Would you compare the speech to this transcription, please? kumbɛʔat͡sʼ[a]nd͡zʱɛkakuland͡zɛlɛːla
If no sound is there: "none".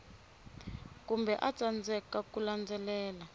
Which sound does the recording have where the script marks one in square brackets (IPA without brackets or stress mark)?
a